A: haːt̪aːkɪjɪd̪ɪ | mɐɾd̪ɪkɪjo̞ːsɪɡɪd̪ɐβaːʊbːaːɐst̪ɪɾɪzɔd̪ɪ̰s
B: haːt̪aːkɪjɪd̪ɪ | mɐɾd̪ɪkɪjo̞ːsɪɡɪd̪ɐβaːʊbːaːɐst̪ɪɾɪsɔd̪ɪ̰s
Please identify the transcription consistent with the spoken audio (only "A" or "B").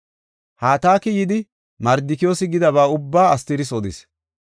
B